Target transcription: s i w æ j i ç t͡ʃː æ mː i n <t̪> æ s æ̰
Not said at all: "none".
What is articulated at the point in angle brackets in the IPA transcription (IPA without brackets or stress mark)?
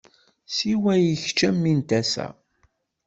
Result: t̪